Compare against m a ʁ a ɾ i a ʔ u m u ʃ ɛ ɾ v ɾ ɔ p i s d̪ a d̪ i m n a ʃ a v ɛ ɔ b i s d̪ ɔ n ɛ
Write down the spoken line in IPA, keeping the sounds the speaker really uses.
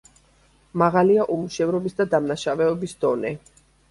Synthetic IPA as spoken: m a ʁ a l i a ʔ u m u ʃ ɛ v ɾ ɔ b i s d̪ a d̪ a m n a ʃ a v ɛ ɔ b i s d̪ ɔ n ɛ